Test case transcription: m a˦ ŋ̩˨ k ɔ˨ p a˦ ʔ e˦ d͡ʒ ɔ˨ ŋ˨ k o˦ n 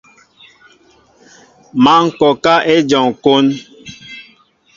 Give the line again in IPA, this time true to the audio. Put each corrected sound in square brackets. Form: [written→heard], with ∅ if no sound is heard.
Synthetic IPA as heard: m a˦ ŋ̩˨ k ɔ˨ [p→k] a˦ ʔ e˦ d͡ʒ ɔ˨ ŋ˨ k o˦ n